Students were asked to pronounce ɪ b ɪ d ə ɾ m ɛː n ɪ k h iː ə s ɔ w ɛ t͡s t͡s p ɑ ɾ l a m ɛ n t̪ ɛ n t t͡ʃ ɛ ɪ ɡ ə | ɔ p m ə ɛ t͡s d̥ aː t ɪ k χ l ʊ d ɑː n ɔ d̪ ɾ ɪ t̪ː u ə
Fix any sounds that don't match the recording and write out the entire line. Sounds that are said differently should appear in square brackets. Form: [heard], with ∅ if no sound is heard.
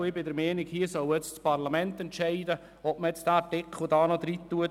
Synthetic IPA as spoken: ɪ b ɪ d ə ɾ m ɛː n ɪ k h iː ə s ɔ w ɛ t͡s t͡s p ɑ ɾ l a m ɛ n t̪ ɛ n t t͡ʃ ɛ ɪ [d] ə | ɔ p m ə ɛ t͡s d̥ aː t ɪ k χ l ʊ d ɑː n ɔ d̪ ɾ [i] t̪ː u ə